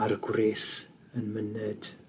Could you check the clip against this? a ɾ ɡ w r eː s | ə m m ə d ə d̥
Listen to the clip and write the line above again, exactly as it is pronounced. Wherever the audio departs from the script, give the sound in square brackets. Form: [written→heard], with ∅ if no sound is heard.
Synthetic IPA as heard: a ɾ ɡ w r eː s | ə [m→n] m ə [d→n] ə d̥